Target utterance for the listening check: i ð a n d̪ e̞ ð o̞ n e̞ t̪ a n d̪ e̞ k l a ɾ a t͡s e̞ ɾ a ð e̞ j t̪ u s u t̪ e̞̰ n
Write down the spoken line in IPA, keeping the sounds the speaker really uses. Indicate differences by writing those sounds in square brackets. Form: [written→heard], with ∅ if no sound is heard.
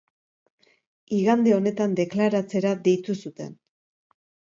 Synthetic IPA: i [ð→ɣ] a n d̪ e̞ [ð→∅] o̞ n e̞ t̪ a n d̪ e̞ k l a ɾ a t͡s e̞ ɾ a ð e̞ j t̪ u s u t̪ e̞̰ n